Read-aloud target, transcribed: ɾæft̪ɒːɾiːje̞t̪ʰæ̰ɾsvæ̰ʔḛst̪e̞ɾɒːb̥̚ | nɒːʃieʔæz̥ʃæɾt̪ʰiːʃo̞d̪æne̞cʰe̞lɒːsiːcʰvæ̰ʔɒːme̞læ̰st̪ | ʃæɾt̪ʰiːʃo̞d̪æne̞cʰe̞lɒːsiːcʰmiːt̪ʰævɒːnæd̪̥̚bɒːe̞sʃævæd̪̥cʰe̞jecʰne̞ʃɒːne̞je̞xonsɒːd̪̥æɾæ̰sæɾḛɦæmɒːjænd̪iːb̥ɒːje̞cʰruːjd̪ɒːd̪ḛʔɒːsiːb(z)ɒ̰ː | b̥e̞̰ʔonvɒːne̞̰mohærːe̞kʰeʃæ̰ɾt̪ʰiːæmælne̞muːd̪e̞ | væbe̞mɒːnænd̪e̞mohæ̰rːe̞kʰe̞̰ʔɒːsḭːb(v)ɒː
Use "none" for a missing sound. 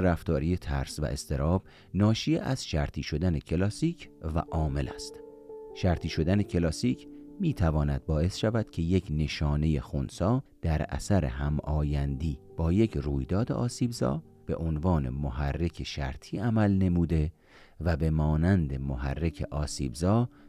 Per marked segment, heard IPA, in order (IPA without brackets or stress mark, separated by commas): z, z